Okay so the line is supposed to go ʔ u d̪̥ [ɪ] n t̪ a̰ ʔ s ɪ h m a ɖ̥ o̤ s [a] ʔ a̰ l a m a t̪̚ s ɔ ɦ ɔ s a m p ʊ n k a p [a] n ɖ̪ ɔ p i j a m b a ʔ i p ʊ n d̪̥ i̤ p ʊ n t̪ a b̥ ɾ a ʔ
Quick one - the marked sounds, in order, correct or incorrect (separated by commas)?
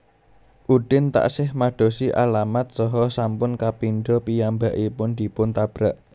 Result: correct, incorrect, incorrect